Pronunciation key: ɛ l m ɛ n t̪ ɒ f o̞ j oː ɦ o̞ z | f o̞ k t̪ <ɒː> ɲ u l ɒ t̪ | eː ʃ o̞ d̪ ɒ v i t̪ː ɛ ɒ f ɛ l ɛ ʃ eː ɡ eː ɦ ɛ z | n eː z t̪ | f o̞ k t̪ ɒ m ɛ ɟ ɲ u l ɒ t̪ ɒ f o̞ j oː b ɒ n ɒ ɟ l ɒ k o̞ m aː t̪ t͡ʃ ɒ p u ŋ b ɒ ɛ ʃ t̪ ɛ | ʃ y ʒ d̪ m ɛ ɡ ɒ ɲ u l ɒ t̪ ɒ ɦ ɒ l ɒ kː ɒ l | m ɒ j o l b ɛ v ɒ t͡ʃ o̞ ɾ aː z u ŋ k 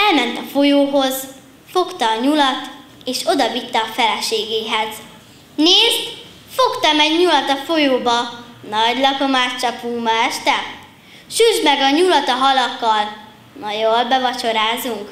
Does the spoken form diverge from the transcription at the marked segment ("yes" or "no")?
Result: no